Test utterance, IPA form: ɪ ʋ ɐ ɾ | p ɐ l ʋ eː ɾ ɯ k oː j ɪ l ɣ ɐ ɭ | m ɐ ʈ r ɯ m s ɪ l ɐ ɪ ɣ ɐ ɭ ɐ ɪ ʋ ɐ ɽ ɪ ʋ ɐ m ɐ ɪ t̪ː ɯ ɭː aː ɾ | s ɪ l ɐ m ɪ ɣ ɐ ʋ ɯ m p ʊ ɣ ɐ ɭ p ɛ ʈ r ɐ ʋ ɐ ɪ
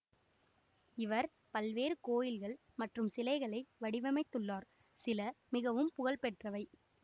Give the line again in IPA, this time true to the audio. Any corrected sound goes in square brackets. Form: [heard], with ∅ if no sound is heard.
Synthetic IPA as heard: ɪ ʋ ɐ ɾ | p ɐ l ʋ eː ɾ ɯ k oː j ɪ l ɣ ɐ ɭ | m ɐ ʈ r ɯ m s ɪ l ɐ ɪ ɣ ɐ ɭ ɐ ɪ ʋ ɐ ɽ ɪ ʋ ɐ m ɐ ɪ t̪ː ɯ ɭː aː ɾ | s ɪ l ɐ m ɪ ɣ ɐ ʋ ɯ m p ʊ ɣ ɐ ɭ p ɛ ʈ r ɐ ʋ ɐ ɪ